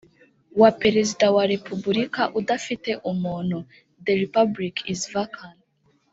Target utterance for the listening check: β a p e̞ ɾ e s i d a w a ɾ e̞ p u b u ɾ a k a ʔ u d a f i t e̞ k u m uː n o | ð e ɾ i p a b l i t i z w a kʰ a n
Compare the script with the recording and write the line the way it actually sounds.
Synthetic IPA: w a p e̞ ɾ e z i d a w a ɾ e̞ p u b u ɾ i k a ʔ u d a f i t e̞ ʔ u m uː n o | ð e ɾ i p a b l i k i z v a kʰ a n